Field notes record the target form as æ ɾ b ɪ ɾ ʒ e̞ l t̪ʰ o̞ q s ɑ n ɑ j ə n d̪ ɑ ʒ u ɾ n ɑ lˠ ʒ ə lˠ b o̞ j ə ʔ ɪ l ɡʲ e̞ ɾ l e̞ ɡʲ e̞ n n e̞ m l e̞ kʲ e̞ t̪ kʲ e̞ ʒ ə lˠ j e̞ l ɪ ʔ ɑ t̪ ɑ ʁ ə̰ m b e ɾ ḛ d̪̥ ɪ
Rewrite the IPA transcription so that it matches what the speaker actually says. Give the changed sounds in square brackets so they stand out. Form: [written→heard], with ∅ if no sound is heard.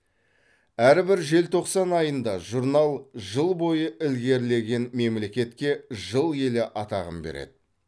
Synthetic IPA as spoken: æ ɾ b ɪ ɾ ʒ e̞ l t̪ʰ o̞ q s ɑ n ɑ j ə n d̪ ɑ ʒ u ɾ n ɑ lˠ ʒ ə lˠ b o̞ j ə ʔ ɪ l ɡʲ e̞ ɾ l e̞ ɡʲ e̞ n [n→m] e̞ m l e̞ kʲ e̞ t̪ kʲ e̞ ʒ ə lˠ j e̞ l ɪ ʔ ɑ t̪ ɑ ʁ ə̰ m b e ɾ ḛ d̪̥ ɪ